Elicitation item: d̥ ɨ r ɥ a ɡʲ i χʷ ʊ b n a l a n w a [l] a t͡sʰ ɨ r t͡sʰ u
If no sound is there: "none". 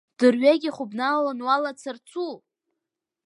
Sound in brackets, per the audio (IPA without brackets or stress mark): l